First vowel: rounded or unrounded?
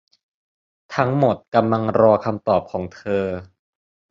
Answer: unrounded